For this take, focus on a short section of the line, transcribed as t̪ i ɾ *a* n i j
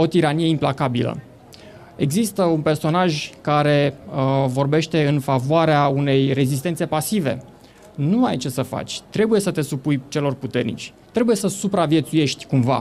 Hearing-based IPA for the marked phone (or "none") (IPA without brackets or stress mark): a